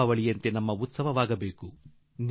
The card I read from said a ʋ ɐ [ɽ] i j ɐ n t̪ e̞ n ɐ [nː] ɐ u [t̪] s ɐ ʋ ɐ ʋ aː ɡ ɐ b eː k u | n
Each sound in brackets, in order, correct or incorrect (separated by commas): incorrect, incorrect, correct